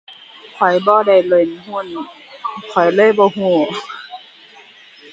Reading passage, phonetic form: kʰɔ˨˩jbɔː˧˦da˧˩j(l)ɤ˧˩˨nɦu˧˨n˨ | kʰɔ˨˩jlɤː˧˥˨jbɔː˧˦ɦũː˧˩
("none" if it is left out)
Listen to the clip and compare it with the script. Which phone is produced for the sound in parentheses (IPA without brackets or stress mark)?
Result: l